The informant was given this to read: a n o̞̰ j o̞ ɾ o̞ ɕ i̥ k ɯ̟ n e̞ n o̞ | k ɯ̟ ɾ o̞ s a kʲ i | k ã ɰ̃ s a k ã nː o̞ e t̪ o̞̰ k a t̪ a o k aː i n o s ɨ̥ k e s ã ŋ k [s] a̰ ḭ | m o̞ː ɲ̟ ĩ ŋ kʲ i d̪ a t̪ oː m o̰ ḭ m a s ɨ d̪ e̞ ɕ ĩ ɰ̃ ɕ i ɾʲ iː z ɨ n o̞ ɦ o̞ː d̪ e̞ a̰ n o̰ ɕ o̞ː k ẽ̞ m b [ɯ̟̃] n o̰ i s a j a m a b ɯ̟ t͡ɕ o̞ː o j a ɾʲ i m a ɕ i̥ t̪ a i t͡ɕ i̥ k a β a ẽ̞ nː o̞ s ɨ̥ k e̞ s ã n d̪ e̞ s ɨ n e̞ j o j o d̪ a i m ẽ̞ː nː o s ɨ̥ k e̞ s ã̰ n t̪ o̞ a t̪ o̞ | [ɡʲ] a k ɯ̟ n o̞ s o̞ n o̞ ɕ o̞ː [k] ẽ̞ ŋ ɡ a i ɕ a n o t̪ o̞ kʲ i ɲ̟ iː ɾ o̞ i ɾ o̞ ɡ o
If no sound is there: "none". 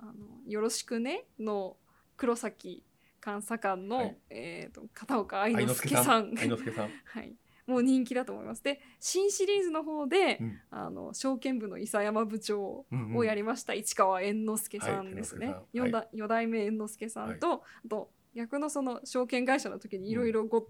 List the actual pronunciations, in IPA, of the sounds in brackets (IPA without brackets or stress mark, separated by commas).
h, ɯ̟, ɡʲ, k